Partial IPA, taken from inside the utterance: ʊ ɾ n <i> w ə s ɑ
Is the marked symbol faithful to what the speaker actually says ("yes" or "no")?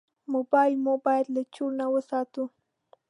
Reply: no